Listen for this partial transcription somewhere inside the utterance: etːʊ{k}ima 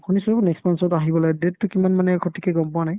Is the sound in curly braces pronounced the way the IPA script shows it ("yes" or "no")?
yes